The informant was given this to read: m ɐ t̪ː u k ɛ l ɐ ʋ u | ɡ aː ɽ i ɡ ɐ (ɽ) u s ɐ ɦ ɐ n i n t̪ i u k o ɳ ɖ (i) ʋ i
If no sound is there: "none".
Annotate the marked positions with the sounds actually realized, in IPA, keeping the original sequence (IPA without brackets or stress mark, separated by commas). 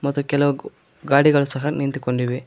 ɭ, i